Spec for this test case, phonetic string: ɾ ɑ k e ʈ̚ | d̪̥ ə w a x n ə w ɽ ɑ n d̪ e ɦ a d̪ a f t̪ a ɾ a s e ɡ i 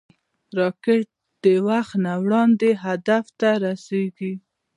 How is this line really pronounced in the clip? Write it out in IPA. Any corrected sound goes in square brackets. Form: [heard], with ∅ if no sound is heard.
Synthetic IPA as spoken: ɾ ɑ k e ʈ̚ | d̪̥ ə w a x n [a] w ɽ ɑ n d̪ e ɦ a d̪ a f t̪ a ɾ a s e ɡ i